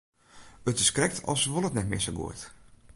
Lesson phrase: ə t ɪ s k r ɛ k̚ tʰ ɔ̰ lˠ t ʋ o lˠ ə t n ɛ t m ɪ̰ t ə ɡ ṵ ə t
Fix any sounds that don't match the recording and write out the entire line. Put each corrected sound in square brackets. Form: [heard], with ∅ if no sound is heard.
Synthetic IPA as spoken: ə t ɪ s k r ɛ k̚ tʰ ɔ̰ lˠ [s] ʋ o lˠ ə t n ɛ t m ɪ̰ [s] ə ɡ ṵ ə t

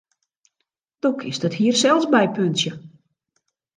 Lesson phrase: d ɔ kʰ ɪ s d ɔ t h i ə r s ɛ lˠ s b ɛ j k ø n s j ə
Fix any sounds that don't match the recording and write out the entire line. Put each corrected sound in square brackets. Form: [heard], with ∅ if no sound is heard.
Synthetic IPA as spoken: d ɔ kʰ ɪ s d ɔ t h i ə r s ɛ lˠ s b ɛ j [p] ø n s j ə

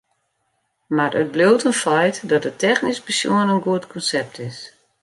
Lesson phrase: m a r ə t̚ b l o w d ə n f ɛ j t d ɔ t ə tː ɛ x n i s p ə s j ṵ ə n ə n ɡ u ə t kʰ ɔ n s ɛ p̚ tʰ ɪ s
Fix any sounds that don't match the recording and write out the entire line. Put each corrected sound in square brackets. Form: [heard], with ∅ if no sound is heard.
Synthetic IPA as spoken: m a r ə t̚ b l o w [t] ə n f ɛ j t d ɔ t ə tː ɛ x n i s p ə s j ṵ ə n ə n ɡ u ə t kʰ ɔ n s ɛ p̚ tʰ ɪ s

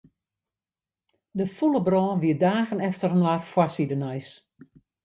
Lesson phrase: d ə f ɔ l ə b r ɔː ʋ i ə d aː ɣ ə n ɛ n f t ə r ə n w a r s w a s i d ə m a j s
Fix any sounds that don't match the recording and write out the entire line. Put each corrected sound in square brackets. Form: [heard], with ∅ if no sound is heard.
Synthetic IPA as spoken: d ə f [u] l ə b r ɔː ʋ i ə d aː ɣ ə n ɛ [∅] f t ə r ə n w a r [f] w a s i d ə [n] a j s

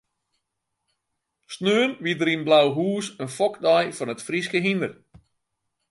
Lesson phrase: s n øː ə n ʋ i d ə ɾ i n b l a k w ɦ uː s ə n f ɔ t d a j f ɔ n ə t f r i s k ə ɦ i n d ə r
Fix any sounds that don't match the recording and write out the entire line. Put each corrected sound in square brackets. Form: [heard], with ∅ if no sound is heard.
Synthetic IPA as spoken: s n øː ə n ʋ i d ə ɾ i n b l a [∅] w ɦ uː s ə n f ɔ [k] d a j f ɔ n ə t f r i s k ə ɦ i n d ə r

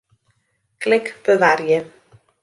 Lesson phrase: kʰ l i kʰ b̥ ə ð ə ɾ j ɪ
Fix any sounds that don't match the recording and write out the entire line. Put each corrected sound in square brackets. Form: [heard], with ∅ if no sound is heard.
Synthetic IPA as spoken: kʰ l [ɪ] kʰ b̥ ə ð [a] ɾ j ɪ

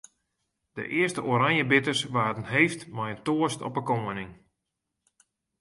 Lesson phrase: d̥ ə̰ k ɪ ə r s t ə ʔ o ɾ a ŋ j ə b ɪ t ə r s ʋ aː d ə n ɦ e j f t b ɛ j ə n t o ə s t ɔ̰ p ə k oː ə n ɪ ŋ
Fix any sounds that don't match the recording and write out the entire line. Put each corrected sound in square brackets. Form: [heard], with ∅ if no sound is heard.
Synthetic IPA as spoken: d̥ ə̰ [ʔ] ɪ ə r s t ə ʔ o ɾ a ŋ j ə b ɪ t ə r s ʋ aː d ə n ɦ e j f t [m] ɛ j ə n t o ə s t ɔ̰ p ə k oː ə n ɪ ŋ

